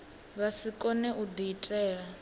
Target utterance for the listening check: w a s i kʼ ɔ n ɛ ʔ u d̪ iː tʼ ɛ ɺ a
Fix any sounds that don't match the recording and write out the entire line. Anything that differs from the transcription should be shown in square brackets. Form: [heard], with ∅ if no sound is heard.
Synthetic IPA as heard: [β] a s i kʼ ɔ n ɛ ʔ u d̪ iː tʼ [ɛː] ɺ a